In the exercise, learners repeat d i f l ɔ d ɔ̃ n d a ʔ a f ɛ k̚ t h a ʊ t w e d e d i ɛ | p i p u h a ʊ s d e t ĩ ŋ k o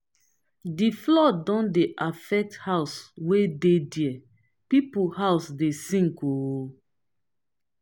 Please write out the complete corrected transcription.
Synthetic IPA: d i f l ɔ d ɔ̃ n d e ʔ a f ɛ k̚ t h a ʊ s w e d e d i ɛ | p i p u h a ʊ s d e s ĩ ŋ k o